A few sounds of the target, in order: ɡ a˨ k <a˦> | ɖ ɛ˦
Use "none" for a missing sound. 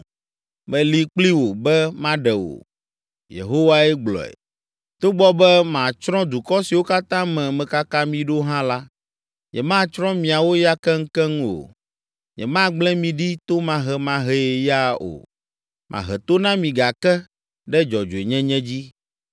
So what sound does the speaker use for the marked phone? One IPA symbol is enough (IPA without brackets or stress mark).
ɛ˦